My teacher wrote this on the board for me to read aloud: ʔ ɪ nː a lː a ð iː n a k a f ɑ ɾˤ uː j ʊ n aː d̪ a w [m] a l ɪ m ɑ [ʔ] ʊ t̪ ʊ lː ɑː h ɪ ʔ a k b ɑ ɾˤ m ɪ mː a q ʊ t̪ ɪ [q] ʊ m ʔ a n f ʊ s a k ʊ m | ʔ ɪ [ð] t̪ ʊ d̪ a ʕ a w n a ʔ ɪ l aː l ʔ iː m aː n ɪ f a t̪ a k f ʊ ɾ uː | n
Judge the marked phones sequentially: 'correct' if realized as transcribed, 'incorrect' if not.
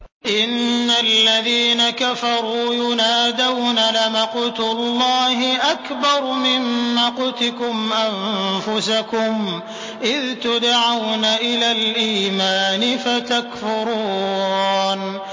incorrect, incorrect, incorrect, correct

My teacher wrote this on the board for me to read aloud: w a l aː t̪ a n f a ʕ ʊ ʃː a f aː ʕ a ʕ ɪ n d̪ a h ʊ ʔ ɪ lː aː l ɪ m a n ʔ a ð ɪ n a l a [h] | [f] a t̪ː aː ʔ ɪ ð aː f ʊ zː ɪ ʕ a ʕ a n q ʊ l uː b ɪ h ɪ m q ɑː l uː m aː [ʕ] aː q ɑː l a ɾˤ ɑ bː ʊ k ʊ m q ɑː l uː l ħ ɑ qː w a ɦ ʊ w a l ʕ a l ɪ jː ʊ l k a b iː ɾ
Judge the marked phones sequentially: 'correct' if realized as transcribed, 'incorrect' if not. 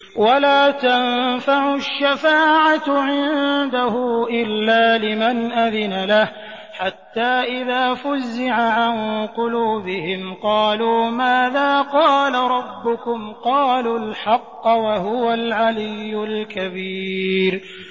correct, incorrect, incorrect

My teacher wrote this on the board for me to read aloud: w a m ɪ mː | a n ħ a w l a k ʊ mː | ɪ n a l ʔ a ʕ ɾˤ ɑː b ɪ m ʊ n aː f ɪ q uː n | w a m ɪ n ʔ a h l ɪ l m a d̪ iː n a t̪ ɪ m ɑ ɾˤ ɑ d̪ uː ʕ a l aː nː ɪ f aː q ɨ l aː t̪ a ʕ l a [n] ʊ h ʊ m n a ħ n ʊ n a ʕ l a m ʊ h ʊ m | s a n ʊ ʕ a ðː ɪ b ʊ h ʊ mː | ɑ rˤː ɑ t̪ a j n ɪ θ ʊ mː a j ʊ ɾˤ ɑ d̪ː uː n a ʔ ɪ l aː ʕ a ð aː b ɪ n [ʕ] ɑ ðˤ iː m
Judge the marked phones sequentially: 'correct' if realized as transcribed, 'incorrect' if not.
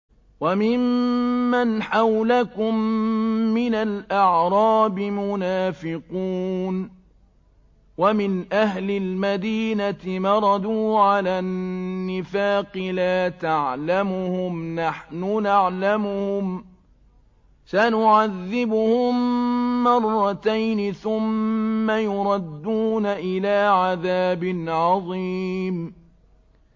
incorrect, correct

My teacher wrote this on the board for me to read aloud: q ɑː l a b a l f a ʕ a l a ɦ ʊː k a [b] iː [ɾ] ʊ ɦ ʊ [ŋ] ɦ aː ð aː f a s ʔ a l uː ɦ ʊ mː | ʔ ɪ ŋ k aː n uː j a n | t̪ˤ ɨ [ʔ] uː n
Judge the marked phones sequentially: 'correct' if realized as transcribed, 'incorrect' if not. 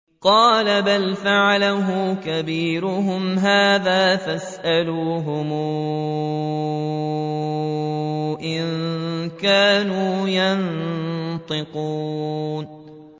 correct, correct, incorrect, incorrect

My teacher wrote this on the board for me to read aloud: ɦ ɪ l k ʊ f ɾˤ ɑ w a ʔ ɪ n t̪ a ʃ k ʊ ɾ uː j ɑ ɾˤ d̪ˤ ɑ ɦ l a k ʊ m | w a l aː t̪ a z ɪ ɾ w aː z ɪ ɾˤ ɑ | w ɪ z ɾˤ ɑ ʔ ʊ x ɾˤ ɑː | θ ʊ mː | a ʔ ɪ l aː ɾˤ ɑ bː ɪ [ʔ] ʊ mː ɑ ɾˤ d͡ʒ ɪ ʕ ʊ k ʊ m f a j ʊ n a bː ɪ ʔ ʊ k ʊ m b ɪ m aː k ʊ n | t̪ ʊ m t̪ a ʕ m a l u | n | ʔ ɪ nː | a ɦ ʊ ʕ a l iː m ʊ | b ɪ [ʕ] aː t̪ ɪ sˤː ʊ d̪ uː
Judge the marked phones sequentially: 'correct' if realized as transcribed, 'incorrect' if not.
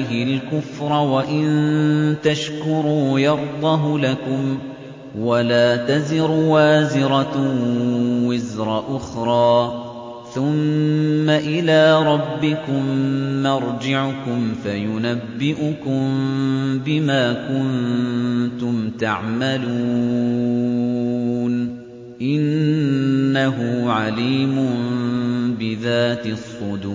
incorrect, incorrect

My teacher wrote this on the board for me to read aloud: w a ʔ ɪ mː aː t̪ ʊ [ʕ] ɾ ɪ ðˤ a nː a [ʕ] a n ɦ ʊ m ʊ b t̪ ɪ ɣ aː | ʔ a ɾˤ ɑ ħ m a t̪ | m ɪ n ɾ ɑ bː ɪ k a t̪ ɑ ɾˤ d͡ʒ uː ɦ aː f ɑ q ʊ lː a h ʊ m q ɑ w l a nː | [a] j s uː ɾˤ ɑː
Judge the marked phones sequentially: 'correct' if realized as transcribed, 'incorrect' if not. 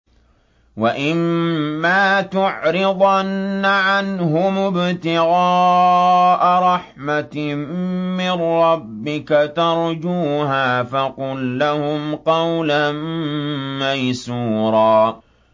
correct, correct, correct

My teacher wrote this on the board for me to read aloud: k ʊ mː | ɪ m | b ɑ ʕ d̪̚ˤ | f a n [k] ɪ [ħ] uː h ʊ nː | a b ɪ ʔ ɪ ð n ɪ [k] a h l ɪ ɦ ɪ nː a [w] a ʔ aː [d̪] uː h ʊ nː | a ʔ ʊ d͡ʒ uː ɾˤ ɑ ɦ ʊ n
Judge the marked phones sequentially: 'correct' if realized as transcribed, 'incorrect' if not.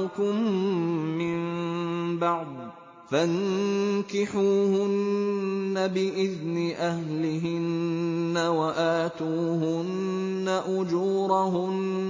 correct, correct, incorrect, correct, incorrect

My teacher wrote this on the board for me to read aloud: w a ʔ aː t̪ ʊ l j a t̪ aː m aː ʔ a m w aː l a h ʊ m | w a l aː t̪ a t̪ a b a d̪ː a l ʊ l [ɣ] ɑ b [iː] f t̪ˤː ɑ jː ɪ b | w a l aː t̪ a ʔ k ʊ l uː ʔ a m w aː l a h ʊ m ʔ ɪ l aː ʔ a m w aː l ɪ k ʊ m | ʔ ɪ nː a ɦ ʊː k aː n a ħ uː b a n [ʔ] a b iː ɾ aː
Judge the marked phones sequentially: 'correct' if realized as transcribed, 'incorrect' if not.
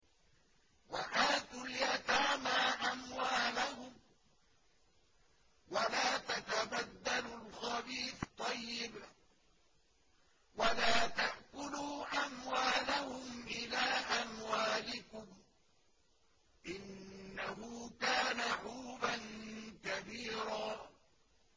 incorrect, correct, incorrect

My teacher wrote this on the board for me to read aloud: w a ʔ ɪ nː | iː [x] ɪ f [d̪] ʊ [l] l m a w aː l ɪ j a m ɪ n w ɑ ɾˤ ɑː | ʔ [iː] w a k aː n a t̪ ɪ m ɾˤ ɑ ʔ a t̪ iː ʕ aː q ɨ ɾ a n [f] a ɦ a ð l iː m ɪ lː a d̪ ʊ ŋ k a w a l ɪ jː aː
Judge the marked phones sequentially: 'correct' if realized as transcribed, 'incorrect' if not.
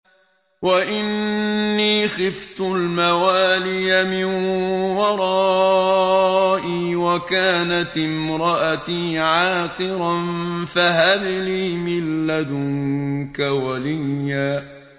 correct, incorrect, correct, correct, correct

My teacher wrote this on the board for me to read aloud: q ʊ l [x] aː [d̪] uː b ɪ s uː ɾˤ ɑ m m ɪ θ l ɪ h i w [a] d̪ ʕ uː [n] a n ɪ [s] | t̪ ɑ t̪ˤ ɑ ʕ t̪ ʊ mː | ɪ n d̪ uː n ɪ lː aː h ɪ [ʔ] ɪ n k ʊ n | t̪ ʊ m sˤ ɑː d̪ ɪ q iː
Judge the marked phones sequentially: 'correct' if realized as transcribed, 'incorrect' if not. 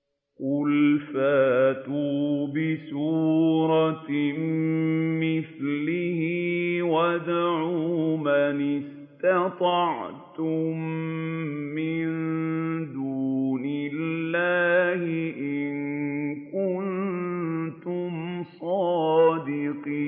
incorrect, incorrect, correct, incorrect, correct, correct

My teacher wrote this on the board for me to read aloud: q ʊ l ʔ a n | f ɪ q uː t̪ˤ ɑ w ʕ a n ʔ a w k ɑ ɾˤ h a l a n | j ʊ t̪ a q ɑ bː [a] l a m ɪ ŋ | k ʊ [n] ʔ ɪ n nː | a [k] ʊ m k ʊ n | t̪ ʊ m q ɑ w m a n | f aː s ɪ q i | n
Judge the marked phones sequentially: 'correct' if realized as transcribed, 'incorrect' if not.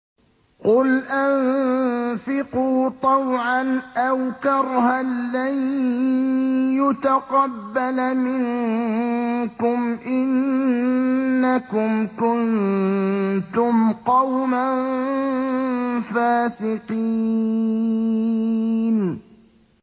correct, incorrect, correct

